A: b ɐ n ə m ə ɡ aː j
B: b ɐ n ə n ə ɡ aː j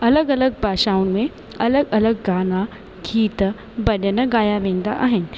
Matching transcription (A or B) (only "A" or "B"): B